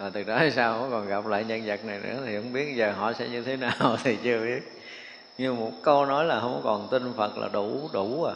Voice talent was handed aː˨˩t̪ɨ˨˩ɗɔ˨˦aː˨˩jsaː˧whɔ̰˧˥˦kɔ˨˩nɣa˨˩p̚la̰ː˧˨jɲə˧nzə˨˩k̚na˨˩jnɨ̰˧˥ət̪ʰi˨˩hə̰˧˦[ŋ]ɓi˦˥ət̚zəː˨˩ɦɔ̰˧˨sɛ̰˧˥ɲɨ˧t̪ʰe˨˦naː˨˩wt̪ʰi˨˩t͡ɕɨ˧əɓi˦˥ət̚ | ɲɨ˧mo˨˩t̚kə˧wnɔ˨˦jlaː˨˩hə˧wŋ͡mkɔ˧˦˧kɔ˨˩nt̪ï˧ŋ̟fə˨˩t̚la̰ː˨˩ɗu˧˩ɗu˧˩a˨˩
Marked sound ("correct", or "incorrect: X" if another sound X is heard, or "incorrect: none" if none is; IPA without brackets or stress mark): incorrect: ŋ͡m